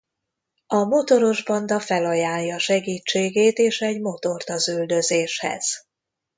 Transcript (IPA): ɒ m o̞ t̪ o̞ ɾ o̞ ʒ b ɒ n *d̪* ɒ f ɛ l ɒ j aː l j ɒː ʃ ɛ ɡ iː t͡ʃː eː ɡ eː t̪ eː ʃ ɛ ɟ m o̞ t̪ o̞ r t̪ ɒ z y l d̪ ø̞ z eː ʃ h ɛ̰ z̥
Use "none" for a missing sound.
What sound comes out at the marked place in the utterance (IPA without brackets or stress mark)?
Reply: d̪